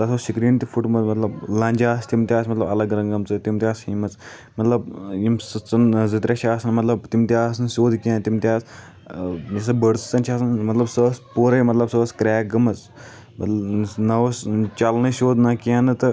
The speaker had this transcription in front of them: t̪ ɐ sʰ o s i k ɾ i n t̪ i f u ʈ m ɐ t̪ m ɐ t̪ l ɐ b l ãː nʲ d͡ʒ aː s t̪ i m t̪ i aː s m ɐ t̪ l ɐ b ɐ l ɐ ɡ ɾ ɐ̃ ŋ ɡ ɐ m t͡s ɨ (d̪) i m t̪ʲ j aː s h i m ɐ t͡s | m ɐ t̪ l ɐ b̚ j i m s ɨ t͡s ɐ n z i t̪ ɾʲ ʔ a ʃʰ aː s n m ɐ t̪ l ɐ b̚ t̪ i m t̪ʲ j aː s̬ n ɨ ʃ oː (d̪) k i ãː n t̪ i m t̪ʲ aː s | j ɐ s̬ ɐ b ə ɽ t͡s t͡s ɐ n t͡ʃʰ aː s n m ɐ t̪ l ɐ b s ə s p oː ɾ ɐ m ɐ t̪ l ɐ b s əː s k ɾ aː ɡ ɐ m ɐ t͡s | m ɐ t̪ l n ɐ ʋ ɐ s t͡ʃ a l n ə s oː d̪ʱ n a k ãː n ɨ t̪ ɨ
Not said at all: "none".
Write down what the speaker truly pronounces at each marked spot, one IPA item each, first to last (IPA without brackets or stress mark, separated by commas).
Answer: t̪, d̪